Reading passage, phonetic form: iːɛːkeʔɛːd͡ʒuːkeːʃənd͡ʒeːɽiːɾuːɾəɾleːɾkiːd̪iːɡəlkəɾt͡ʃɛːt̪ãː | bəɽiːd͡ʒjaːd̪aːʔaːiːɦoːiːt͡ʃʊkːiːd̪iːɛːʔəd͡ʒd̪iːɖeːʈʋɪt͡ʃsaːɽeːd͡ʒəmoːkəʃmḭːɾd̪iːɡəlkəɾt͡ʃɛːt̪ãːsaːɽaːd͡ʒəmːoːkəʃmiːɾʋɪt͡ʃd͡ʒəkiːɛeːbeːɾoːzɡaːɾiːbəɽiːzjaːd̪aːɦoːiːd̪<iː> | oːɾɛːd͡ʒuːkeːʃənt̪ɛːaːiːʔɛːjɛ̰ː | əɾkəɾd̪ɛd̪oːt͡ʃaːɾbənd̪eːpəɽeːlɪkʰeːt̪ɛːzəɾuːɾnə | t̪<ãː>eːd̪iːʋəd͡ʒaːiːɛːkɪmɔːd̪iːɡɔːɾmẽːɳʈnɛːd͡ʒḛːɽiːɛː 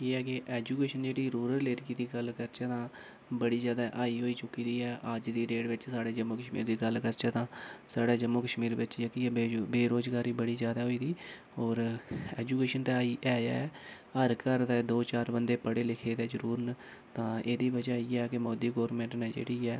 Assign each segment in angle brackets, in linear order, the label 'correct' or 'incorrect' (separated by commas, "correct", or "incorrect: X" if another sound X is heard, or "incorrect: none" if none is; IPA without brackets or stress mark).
correct, correct